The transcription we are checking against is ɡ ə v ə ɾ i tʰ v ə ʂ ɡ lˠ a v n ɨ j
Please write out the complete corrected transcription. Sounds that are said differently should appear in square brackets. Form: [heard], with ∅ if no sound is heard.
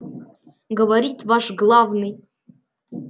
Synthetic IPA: ɡ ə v [a] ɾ i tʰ v [a] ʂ ɡ lˠ a v n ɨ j